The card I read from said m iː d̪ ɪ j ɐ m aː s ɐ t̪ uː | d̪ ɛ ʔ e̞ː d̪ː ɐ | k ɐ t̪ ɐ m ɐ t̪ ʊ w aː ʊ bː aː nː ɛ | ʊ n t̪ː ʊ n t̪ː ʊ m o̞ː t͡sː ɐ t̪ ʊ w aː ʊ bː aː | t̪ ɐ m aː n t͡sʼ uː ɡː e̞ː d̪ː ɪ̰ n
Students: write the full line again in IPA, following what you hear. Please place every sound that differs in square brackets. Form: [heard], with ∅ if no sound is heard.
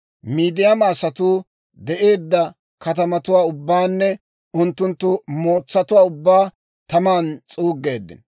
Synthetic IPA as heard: m iː d̪ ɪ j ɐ m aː s ɐ t̪ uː | d̪ ɛ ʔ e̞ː d̪ː ɐ | k ɐ t̪ ɐ m ɐ t̪ ʊ w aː ʊ bː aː nː ɛ | ʊ n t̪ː ʊ n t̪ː ʊ m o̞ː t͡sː ɐ t̪ ʊ w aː ʊ bː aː | t̪ ɐ m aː n t͡sʼ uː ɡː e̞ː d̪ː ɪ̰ n

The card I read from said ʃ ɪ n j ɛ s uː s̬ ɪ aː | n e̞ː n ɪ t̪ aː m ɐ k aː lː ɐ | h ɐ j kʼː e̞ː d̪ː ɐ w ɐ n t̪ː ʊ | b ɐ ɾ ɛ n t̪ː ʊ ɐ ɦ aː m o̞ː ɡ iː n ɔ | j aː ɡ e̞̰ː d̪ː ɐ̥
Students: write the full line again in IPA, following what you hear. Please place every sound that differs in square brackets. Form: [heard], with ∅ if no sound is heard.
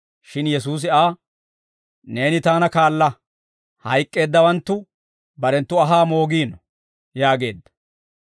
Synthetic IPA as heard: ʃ ɪ n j ɛ s uː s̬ ɪ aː | n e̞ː n ɪ t̪ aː [n] ɐ k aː lː ɐ | h ɐ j kʼː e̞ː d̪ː ɐ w ɐ n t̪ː ʊ | b ɐ ɾ ɛ n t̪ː ʊ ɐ ɦ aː m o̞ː ɡ iː n ɔ | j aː ɡ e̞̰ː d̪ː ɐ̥

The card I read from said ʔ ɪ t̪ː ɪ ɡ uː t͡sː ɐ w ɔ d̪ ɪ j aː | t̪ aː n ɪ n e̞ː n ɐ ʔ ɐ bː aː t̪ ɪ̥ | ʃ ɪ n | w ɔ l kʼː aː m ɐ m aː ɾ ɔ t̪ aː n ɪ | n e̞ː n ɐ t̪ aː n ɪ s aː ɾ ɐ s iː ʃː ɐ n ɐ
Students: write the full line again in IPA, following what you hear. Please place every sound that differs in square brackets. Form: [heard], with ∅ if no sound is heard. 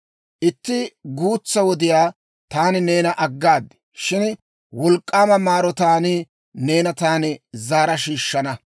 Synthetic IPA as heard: ʔ ɪ t̪ː ɪ ɡ uː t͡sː ɐ w ɔ d̪ ɪ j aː | t̪ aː n ɪ n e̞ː n ɐ ʔ ɐ [ɡː] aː [d̪] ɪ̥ | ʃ ɪ n | w ɔ l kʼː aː m ɐ m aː ɾ ɔ t̪ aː n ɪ | n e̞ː n ɐ t̪ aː n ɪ [z] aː ɾ ɐ [ʃ] iː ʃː ɐ n ɐ

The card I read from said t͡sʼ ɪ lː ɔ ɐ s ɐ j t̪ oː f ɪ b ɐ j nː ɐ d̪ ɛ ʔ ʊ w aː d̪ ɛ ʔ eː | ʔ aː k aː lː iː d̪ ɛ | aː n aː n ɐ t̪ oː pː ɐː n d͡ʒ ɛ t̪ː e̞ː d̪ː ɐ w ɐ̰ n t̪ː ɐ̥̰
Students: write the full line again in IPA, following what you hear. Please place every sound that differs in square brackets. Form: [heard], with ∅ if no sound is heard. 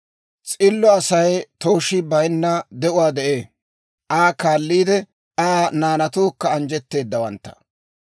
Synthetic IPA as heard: t͡sʼ ɪ lː ɔ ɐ s ɐ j t̪ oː [ʃ] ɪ b ɐ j nː ɐ d̪ ɛ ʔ ʊ w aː d̪ ɛ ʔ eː | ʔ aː k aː lː iː d̪ ɛ | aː n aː n ɐ t̪ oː [kː] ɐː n d͡ʒ ɛ t̪ː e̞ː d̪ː ɐ w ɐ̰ n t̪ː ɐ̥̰

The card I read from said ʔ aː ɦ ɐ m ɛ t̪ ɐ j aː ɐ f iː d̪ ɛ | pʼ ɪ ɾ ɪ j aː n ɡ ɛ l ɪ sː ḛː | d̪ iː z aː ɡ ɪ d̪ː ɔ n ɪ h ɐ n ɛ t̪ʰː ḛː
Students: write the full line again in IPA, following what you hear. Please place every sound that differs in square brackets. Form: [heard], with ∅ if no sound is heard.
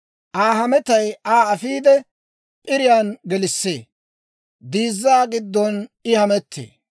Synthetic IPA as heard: ʔ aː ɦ ɐ m ɛ t̪ ɐ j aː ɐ f iː d̪ ɛ | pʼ ɪ ɾ ɪ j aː n ɡ ɛ l ɪ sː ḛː | d̪ iː [zː] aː ɡ ɪ d̪ː ɔ n ɪ h ɐ [m] ɛ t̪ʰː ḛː

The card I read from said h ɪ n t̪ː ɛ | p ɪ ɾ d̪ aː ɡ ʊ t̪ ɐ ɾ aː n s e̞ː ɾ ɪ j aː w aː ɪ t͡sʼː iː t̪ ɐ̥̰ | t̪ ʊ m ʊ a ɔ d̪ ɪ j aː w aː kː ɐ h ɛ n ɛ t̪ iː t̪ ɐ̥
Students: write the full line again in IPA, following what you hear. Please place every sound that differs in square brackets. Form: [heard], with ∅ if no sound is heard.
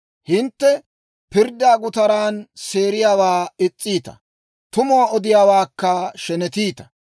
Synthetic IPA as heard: h ɪ n t̪ː ɛ | p ɪ ɾ d̪ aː ɡ ʊ t̪ ɐ ɾ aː n s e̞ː ɾ ɪ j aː w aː ɪ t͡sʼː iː t̪ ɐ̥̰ | t̪ ʊ m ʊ a ɔ d̪ ɪ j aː w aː kː ɐ [ʃ] ɛ n ɛ t̪ iː t̪ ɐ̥

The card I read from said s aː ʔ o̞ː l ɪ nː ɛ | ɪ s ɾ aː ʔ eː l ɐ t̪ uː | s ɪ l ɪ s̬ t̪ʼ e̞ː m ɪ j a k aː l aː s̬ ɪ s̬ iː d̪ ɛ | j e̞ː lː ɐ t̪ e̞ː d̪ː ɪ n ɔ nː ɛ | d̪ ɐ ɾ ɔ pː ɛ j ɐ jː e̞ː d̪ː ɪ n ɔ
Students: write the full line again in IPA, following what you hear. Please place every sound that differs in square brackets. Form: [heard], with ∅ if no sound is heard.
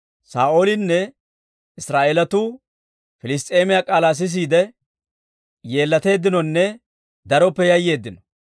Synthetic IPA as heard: s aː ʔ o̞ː l ɪ nː ɛ | ɪ s ɾ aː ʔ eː l ɐ t̪ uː | [f] ɪ l ɪ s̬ t̪ʼ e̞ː m ɪ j a [kʼ] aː l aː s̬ ɪ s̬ iː d̪ ɛ | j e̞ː lː ɐ t̪ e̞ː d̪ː ɪ n ɔ nː ɛ | d̪ ɐ ɾ ɔ pː ɛ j ɐ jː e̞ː d̪ː ɪ n ɔ

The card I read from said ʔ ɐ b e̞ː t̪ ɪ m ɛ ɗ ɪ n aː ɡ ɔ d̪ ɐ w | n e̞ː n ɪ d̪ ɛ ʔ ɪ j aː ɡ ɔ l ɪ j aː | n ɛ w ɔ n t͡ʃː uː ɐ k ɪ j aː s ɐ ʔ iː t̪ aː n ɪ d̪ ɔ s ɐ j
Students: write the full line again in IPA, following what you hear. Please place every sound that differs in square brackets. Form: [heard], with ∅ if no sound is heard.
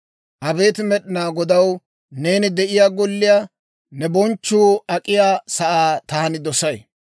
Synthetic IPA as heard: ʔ ɐ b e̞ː t̪ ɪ m ɛ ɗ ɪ n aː ɡ ɔ d̪ ɐ w | n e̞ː n ɪ d̪ ɛ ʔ ɪ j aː ɡ ɔ [lː] ɪ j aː | n ɛ [b] ɔ n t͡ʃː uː ɐ [kʼ] ɪ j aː s ɐ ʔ [aː] t̪ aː n ɪ d̪ ɔ s ɐ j

